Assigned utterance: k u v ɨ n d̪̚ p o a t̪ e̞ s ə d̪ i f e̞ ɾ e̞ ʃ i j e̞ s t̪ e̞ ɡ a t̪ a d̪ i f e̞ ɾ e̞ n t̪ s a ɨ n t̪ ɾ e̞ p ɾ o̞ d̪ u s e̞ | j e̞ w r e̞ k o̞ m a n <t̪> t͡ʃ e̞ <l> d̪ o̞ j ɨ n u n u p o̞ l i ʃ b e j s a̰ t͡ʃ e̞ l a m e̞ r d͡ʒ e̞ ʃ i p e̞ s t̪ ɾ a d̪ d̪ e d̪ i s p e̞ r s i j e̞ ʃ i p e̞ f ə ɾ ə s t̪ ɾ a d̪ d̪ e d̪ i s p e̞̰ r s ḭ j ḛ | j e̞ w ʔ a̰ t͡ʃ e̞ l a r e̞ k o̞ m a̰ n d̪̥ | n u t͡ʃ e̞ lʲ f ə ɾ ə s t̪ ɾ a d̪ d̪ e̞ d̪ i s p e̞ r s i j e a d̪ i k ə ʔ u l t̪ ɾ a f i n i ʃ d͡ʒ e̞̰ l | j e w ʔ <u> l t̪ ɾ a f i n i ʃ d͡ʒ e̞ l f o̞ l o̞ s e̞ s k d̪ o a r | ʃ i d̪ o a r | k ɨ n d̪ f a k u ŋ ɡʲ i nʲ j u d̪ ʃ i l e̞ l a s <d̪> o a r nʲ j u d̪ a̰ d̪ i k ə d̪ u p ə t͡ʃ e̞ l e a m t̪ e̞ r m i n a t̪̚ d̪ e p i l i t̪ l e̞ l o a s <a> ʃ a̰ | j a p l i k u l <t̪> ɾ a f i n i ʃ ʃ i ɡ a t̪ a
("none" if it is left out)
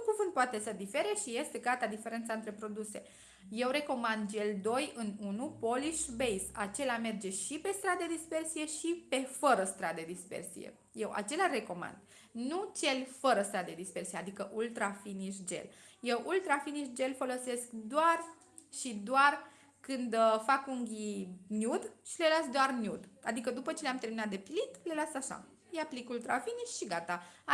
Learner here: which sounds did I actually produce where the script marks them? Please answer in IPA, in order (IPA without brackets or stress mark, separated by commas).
d̪, l, u, d̪, a, t̪